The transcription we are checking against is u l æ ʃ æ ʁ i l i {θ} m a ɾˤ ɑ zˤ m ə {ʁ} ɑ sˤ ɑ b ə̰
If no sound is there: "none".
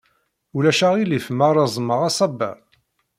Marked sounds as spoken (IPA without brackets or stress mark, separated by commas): f, ʁ